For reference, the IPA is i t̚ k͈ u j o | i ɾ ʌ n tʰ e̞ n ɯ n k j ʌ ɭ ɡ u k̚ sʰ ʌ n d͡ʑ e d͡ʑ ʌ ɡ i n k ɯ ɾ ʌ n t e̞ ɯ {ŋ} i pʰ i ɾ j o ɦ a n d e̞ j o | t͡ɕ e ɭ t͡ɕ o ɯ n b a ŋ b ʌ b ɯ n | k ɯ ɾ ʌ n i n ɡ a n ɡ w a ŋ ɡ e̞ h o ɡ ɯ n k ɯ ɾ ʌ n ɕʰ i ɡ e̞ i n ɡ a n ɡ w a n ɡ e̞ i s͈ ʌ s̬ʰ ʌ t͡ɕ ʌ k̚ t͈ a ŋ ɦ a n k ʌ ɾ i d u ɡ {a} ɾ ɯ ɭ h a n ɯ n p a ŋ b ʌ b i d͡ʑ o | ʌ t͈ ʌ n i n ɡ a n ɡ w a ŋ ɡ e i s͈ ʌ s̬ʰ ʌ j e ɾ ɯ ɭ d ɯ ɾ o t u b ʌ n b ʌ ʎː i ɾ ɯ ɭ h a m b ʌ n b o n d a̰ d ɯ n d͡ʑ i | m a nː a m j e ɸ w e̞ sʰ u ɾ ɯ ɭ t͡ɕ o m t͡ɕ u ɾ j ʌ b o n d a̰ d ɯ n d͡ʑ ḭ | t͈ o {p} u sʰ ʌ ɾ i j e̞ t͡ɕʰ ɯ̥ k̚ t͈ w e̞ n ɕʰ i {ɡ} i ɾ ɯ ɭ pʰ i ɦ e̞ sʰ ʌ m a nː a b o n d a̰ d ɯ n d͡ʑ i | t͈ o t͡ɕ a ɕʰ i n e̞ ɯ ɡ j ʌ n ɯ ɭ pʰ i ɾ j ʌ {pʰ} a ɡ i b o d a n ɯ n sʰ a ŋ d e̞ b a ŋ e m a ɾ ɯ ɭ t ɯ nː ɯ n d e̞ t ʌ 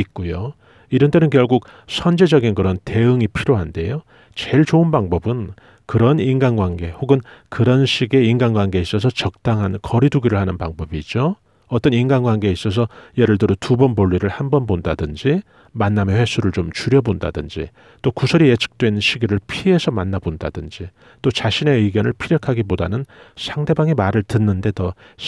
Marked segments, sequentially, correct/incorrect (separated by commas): correct, incorrect, incorrect, correct, incorrect